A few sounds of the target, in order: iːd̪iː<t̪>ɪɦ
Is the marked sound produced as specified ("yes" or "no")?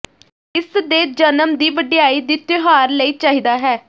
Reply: yes